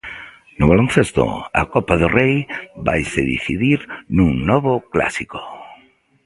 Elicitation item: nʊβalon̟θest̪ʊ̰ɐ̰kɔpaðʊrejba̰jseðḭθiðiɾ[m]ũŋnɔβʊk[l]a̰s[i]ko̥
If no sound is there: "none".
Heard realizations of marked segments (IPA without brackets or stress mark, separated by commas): n, l, i